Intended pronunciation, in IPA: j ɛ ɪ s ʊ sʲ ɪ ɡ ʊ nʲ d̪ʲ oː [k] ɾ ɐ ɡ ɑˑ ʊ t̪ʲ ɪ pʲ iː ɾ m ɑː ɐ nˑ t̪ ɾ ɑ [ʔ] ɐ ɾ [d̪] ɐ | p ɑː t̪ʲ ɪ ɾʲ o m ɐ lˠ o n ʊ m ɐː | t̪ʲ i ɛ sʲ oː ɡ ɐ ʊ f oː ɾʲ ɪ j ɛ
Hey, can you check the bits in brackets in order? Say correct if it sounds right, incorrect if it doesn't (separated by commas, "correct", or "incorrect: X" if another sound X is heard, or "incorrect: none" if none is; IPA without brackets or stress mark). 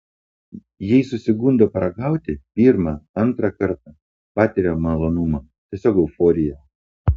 incorrect: p, incorrect: k, incorrect: t̪